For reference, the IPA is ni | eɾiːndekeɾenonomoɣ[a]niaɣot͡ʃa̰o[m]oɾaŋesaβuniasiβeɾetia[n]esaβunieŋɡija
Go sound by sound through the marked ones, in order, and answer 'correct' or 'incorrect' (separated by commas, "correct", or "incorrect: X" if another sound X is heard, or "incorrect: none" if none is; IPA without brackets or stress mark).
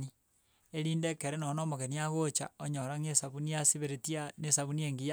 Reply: incorrect: e, incorrect: ɲ, correct